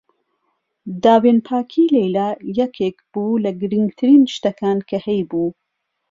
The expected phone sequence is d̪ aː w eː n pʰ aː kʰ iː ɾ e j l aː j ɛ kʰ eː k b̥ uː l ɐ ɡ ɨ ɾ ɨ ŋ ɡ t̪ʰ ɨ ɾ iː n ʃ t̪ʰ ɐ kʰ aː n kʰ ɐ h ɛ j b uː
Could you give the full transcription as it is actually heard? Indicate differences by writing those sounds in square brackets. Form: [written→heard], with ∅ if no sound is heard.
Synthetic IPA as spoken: d̪ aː w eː n pʰ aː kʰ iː [ɾ→l] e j l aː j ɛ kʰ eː k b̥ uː l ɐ ɡ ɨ ɾ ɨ ŋ ɡ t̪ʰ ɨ ɾ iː n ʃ [t̪ʰ→t̪] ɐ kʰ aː n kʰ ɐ h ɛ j b uː